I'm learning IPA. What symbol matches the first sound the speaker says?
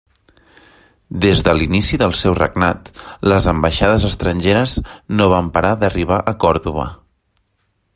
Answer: d̪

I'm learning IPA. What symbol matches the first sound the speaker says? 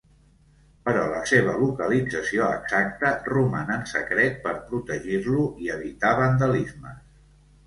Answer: p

